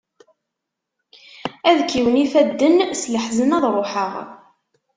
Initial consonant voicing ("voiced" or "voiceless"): voiced